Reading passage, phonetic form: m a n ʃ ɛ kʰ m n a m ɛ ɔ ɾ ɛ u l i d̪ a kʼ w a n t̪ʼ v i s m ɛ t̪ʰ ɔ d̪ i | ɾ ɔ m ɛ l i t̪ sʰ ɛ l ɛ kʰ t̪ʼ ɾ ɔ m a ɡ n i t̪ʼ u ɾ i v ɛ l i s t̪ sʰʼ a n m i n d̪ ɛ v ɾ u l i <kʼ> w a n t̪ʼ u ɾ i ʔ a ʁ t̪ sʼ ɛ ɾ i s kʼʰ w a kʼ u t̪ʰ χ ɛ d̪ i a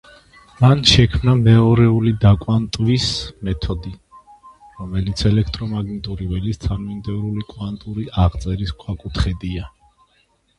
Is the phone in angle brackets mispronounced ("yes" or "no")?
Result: no